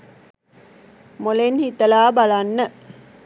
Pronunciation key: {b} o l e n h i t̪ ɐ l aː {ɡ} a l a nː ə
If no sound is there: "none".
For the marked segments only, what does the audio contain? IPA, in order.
m, b

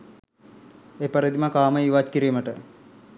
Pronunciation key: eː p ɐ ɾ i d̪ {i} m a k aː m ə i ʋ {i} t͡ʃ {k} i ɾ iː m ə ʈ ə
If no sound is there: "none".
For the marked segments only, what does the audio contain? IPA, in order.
i, a, k

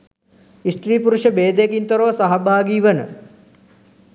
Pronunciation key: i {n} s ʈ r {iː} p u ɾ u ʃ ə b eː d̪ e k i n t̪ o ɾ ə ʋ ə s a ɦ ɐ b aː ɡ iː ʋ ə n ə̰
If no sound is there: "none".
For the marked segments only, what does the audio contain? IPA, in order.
none, iː

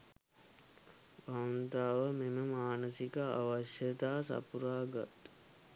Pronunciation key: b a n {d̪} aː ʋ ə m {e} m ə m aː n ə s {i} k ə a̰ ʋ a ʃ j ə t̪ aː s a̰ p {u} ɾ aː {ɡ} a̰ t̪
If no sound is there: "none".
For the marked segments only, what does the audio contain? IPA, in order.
t̪, e, i, u, ɡ

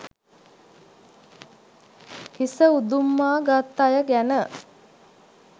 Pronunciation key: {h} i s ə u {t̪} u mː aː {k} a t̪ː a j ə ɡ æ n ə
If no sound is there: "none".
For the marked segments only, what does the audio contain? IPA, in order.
h, d̪, ɡ

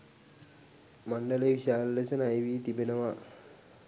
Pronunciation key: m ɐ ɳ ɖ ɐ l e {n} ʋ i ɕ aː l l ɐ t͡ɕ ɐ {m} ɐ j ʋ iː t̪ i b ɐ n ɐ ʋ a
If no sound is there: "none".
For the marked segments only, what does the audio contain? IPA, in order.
none, n

